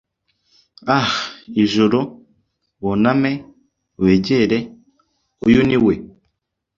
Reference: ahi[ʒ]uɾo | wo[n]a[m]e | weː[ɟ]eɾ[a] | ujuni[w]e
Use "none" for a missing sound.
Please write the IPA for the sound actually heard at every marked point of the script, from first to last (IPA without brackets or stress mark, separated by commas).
ʒ, n, m, ɟ, e, w